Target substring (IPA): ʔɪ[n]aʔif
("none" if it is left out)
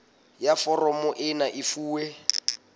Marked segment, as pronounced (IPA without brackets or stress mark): n